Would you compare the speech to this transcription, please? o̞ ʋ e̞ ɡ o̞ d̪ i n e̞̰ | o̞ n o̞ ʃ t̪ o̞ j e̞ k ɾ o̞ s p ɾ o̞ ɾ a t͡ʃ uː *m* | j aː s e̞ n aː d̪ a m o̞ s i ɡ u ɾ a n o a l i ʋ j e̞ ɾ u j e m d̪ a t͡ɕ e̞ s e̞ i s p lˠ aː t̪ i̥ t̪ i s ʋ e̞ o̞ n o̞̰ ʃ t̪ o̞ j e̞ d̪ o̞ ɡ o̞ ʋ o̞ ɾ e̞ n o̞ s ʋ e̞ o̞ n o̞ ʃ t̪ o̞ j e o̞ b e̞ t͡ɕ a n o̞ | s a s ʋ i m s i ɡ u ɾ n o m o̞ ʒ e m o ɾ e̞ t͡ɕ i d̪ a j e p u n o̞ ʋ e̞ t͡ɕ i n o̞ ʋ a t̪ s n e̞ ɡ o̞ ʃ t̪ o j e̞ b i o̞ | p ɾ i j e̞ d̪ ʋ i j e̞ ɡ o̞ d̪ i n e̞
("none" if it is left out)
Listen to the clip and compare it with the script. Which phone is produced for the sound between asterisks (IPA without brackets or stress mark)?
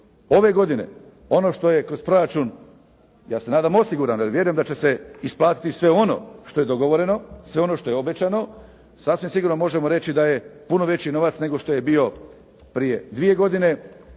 n